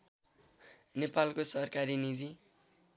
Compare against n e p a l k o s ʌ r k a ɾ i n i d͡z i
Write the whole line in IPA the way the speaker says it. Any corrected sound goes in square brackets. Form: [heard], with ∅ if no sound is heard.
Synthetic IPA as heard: n e p a l k o s ʌ r k a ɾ i n i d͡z i